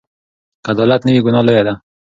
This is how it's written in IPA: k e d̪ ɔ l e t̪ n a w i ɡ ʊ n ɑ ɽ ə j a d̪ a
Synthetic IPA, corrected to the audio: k a d̪ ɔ l a t̪ n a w i ɡ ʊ n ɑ l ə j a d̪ a